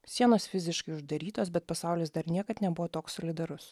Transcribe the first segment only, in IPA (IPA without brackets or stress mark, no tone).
sʲ